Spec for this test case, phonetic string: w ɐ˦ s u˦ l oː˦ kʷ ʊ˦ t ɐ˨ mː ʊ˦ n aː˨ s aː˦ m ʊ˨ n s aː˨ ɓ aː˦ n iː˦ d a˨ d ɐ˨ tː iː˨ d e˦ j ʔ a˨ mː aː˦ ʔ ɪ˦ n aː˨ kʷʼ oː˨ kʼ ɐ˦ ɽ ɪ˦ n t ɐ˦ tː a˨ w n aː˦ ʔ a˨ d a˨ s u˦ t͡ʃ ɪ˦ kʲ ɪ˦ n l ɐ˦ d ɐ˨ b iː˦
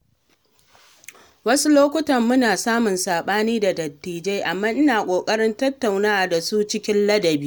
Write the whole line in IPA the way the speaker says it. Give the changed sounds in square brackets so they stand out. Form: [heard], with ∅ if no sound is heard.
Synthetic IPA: w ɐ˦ s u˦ l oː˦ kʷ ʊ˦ t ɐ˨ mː ʊ˦ n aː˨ s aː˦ m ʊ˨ n s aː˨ ɓ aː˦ n iː˦ d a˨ d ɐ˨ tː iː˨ [d͡ʒ] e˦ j ʔ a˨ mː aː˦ ʔ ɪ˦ n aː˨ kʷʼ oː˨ kʼ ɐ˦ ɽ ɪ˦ n t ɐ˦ tː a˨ w n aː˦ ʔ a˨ d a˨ s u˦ t͡ʃ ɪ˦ kʲ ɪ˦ n l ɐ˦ d ɐ˨ b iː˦

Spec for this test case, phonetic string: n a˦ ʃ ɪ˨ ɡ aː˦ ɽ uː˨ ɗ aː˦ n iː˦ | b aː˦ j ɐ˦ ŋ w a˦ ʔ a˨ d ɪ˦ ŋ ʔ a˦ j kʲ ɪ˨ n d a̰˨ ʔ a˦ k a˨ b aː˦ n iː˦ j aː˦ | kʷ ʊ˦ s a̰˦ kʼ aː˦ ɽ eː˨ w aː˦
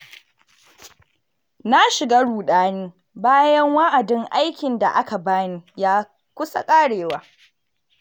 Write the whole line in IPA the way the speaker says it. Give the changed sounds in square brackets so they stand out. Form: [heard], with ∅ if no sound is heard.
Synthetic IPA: n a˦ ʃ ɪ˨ ɡ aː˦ ɽ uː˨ ɗ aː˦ n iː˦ | b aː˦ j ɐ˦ ŋ w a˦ ʔ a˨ d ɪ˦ ŋ ʔ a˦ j kʲ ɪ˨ n d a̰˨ ʔ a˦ k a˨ b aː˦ n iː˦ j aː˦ | kʷ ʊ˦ s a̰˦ kʼ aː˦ ɽ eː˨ w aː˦

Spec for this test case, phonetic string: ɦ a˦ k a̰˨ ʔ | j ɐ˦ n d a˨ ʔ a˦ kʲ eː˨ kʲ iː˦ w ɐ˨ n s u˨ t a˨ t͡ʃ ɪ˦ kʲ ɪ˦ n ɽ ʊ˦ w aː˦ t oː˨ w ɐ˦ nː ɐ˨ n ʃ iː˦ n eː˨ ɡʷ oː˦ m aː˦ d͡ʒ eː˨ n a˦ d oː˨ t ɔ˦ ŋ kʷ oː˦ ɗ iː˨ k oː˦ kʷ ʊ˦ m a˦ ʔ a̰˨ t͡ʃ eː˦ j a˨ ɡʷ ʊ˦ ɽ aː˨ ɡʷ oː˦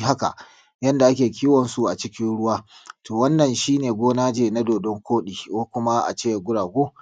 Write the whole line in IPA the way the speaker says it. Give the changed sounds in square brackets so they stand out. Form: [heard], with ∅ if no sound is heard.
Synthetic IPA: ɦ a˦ k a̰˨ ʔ | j ɐ˦ n d a˨ ʔ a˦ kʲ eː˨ kʲ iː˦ w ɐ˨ n s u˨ [ʔ] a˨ t͡ʃ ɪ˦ kʲ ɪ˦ n ɽ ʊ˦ w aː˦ t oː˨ w ɐ˦ nː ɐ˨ n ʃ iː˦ n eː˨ ɡʷ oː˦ [n] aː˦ d͡ʒ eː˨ n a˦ d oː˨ [d] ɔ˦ ŋ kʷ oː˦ ɗ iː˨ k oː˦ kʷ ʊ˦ m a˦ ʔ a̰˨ t͡ʃ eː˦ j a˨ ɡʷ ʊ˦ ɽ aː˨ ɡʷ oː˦

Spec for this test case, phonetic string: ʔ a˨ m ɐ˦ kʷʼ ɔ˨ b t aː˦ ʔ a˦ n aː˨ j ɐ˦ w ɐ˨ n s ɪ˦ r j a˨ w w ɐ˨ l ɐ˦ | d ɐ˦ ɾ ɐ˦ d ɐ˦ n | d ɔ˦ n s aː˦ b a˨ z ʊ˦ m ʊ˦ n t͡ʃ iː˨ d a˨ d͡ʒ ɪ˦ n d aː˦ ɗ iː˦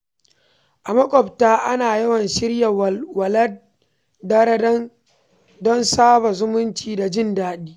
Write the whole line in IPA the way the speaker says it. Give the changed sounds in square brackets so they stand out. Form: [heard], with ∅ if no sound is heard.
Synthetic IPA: ʔ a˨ m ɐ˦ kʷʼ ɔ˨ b t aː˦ ʔ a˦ n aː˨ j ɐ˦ w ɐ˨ n [ʃ] ɪ˦ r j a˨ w w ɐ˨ l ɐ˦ | d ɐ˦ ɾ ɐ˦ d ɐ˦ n | d ɔ˦ n s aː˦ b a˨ z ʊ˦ m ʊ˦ n t͡ʃ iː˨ d a˨ d͡ʒ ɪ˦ n d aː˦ ɗ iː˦

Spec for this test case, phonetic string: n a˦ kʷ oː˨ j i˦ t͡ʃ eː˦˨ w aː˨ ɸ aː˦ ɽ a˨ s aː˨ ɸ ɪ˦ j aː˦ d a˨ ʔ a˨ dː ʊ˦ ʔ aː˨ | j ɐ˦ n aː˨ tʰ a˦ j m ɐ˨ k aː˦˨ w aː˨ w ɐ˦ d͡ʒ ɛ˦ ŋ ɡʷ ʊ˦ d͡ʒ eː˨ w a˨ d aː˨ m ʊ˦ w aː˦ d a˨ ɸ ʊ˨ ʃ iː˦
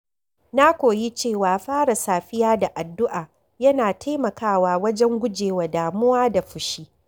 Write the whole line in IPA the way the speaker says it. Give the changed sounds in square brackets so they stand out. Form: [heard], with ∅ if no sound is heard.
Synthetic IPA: n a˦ kʷ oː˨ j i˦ t͡ʃ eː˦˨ w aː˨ ɸ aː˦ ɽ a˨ s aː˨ ɸ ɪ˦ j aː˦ d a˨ ʔ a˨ dː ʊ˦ ʔ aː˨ | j ɐ˦ n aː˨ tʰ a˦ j m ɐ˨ k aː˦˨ w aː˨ w ɐ˦ d͡ʒ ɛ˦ ŋ ɡʷ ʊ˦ d͡ʒ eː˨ w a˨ d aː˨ m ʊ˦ w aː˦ d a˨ ɸ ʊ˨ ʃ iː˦

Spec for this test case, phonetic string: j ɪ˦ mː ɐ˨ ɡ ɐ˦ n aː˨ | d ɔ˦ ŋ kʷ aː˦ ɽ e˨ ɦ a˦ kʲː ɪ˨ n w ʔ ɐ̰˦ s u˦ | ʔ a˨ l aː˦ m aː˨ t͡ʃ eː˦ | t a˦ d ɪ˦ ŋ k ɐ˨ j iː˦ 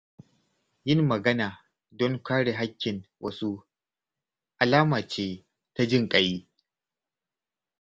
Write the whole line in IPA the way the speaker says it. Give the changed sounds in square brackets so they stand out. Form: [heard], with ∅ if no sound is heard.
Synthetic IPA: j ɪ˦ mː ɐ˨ ɡ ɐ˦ n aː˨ | d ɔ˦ ŋ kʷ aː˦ ɽ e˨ ɦ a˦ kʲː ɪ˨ n w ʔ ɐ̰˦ s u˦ | ʔ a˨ l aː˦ m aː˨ t͡ʃ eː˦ | t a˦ [d͡ʒ] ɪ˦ ŋ [kʼ] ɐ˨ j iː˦

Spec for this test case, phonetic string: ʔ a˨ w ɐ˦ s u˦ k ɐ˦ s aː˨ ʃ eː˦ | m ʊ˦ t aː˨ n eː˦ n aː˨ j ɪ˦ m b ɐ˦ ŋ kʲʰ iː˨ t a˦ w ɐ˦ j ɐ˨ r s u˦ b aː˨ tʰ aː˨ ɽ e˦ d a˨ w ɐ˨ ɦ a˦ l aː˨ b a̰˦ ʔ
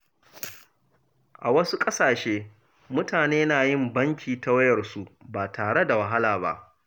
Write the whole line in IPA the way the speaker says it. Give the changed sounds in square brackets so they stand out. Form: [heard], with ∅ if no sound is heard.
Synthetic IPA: ʔ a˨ w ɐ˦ s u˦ [kʼ] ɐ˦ s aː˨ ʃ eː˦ | m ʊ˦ t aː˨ n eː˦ n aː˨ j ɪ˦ m b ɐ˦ ŋ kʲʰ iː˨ t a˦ w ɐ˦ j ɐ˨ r s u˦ b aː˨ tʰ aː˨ ɽ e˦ d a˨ w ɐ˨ ɦ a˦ l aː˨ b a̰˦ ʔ

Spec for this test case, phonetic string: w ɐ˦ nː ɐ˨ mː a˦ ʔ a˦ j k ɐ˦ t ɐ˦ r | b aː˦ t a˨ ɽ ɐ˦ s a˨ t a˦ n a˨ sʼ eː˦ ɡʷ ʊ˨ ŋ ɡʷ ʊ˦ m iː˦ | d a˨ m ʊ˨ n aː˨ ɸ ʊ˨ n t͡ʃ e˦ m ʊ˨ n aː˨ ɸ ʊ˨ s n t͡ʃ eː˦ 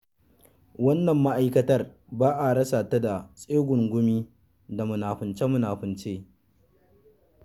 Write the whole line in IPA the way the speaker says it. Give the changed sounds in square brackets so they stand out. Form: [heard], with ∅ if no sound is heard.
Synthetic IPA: w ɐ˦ nː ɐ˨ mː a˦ ʔ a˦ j k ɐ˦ t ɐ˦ r | b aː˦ [ʔ] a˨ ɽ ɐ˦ s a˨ t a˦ [d] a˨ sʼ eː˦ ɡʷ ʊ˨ ŋ ɡʷ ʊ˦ m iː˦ | d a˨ m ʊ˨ n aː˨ ɸ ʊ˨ n t͡ʃ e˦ m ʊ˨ n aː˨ ɸ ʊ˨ [∅] n t͡ʃ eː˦

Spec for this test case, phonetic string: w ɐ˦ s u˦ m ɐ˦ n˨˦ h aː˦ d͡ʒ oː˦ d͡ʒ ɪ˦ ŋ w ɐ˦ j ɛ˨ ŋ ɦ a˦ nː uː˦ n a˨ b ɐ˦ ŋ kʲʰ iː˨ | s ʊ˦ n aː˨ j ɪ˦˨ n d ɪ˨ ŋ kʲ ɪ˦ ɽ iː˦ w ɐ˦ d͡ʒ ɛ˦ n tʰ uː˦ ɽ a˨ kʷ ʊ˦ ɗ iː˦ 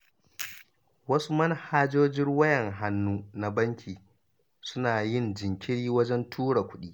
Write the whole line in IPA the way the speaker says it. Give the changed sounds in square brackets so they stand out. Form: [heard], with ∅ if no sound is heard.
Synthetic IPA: w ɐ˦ s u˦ m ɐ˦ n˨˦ h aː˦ d͡ʒ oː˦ d͡ʒ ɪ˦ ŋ w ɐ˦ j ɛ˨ ŋ ɦ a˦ nː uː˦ n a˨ b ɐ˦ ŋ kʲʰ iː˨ | s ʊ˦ n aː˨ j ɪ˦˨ n [d͡ʒ] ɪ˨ ŋ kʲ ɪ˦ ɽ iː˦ w ɐ˦ d͡ʒ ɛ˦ n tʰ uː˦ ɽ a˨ kʷ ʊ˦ ɗ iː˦

